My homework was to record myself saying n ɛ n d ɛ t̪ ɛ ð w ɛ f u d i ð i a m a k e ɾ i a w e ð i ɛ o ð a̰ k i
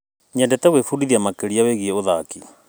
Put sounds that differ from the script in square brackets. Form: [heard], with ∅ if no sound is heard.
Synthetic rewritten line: [ɲ] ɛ n d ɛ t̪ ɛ [ɣ] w [e] f u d i ð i a m a k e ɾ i a w e [ɣ] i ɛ o ð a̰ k i